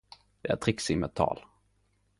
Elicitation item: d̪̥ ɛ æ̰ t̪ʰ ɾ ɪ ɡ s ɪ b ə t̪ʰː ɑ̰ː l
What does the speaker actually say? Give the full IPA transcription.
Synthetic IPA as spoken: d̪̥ ɛ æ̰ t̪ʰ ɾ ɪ k s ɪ m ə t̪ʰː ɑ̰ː l